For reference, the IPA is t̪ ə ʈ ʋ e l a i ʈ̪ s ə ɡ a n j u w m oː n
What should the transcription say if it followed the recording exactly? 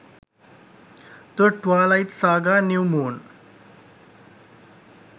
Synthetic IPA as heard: t̪ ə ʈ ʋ a l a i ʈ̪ s a ɡ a n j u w m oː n